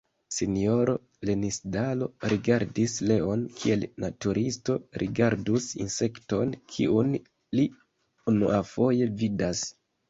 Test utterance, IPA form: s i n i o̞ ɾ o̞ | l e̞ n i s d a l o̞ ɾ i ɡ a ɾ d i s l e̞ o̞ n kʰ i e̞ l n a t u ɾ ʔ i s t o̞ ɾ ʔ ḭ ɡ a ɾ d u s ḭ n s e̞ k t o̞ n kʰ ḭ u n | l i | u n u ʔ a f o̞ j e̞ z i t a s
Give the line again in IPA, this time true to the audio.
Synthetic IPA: s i n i o̞ ɾ o̞ | l e̞ n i s d a l o̞ ɾ i ɡ a ɾ d i s l e̞ o̞ n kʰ i e̞ l n a t u ɾ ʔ i s t o̞ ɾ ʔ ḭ ɡ a ɾ d u s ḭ n s e̞ k t o̞ n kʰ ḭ u n | l i | u n u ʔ a f o̞ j e̞ v i d a s